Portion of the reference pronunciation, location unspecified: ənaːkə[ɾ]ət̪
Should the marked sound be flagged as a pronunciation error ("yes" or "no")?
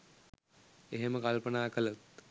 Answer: yes